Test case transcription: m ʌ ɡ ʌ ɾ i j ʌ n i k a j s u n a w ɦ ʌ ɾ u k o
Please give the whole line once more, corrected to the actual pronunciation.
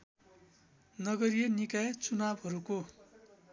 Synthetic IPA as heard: n ʌ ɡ ʌ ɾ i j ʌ n i k a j t͡s u n a b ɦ ʌ ɾ u k o